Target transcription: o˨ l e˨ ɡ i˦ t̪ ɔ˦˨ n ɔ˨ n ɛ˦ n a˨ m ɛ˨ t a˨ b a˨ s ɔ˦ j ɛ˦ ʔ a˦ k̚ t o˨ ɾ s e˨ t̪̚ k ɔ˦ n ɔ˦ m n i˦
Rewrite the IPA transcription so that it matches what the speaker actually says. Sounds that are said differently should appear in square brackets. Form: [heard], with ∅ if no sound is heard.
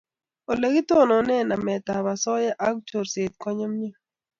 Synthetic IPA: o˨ l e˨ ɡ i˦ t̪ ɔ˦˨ n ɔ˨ n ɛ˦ n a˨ m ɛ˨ t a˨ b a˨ s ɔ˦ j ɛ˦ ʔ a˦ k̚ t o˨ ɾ s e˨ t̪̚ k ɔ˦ [ɲ] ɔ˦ m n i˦